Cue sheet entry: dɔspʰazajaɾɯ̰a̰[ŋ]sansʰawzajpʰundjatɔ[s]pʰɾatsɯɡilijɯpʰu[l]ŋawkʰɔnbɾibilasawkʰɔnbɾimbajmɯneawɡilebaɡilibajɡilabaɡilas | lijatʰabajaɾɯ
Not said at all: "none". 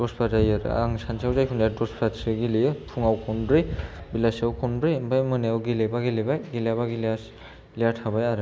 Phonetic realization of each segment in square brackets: ŋ, s, none

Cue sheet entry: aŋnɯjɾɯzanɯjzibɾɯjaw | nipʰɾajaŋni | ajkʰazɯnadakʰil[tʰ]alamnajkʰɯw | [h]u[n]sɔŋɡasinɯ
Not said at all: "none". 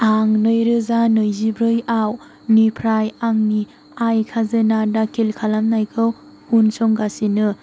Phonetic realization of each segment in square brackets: kʰ, h, n

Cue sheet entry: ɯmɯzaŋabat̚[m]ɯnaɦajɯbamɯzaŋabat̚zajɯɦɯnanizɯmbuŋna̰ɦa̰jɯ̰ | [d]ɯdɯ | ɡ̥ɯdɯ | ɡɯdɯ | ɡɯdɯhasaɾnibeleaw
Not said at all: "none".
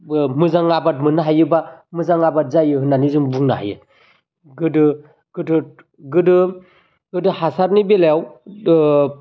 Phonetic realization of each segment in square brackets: m, ɡ

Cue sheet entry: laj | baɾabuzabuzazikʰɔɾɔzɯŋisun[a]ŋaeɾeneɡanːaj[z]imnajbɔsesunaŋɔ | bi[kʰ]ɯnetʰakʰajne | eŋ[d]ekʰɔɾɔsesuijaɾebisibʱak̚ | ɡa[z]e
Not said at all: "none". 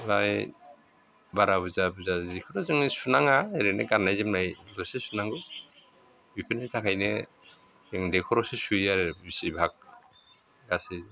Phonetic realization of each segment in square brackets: a, z, pʰ, d, s

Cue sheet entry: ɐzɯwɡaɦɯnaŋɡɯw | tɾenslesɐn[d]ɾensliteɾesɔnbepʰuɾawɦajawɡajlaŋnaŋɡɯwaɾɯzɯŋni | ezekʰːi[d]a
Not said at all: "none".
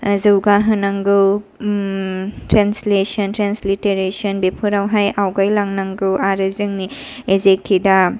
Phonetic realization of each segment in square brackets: t, d

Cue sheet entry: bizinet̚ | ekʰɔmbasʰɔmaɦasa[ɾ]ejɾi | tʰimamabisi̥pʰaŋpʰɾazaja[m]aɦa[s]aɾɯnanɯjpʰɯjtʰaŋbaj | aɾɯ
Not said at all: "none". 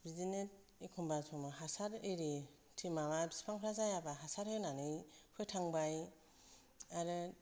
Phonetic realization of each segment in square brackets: ɾ, b, s

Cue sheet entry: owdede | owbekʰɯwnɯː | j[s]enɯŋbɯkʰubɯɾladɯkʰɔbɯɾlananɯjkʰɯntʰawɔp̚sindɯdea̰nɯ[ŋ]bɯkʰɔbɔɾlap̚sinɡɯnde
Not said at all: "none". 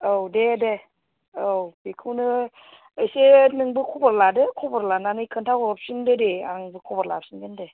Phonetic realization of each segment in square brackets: s, ŋ

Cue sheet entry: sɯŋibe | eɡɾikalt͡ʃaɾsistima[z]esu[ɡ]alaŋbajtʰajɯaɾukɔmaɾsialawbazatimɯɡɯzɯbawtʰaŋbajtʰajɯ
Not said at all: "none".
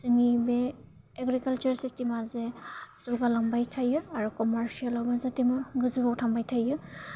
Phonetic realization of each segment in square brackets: z, ɡ

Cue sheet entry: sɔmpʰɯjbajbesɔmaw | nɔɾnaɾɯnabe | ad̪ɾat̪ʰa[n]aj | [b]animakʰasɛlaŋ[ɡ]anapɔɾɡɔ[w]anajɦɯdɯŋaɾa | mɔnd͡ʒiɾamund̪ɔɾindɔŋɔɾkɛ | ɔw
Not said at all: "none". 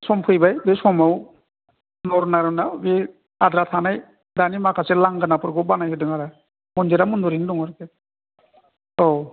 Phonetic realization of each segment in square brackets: n, d, ɡ, b

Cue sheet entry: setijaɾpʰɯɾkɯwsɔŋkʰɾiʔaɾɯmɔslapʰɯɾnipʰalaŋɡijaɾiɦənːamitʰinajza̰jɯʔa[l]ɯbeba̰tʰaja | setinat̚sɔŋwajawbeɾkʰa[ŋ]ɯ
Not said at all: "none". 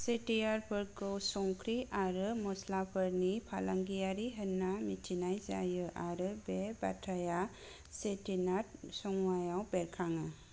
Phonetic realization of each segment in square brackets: ɾ, ŋ

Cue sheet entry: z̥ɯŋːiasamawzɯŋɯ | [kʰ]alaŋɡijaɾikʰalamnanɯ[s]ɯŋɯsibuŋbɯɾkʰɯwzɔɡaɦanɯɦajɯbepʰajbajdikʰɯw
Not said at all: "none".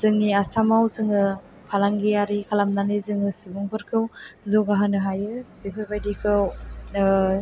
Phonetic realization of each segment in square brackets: pʰ, z

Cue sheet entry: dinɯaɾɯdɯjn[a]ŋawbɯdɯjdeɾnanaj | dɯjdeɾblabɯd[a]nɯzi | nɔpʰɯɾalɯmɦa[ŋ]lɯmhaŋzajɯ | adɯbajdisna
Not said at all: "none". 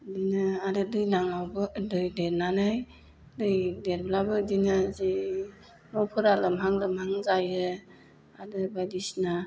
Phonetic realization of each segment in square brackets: a, i, ŋ

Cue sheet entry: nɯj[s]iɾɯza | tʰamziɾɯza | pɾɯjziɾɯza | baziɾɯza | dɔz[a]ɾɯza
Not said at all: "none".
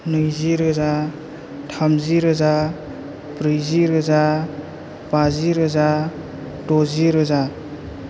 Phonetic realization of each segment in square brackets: z, i

